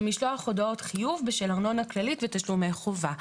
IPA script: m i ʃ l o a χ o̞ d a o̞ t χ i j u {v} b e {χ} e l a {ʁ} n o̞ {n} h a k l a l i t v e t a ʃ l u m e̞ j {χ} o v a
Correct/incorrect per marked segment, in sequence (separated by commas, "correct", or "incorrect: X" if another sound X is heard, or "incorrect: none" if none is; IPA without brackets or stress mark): correct, incorrect: ʃ, correct, correct, correct